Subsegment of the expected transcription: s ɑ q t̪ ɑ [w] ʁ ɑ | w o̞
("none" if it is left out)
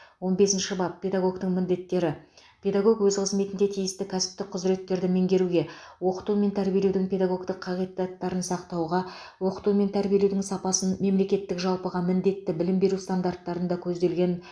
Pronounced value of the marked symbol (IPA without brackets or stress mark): w